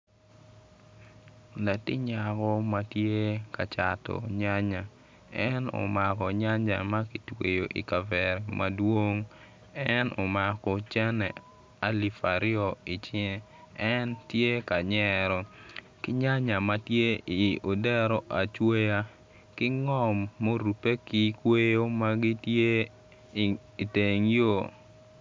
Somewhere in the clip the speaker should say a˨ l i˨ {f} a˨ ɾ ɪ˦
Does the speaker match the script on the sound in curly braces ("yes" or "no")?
yes